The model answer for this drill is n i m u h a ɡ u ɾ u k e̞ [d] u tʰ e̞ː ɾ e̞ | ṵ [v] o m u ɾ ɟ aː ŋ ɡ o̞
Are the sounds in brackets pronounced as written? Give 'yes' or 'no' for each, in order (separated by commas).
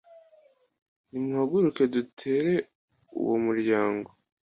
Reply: yes, no